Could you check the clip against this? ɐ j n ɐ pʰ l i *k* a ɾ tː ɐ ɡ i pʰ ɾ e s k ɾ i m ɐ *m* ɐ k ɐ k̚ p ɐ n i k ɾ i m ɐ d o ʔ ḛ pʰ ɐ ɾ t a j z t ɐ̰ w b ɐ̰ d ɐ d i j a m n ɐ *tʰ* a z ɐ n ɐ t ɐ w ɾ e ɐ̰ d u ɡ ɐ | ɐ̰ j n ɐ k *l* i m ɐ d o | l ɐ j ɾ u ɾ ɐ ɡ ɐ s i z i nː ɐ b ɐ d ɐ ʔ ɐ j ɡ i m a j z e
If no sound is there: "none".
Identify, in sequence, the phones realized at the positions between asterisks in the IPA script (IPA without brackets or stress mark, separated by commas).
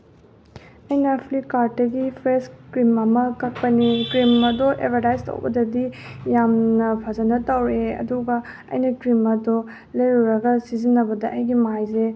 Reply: k, m, pʰ, ɾ